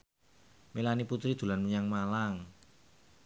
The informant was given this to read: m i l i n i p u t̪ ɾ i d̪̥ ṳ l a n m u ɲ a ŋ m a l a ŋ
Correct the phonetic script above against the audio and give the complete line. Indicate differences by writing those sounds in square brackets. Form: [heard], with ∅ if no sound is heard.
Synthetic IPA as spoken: m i l [a] n i p u t̪ ɾ i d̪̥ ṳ l a n m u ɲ a ŋ m a l a ŋ